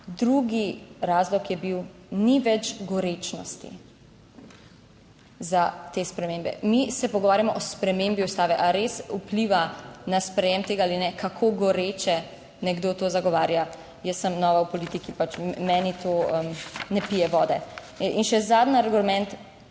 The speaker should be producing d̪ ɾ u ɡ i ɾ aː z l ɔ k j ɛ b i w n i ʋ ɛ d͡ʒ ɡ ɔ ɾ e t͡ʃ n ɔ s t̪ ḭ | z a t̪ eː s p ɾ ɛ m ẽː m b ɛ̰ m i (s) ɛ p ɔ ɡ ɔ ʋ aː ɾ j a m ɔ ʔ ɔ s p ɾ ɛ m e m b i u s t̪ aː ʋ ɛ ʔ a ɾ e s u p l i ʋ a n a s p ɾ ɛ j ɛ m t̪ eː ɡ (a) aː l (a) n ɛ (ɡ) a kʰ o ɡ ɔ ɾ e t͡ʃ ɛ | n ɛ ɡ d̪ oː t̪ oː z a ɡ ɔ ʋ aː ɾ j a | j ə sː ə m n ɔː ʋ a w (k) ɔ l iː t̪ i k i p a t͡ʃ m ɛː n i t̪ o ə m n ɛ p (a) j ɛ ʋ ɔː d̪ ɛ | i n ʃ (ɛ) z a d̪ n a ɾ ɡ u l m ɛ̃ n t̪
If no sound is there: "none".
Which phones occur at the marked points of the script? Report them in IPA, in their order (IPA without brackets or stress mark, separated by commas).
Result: s, a, i, k, p, i, ɛ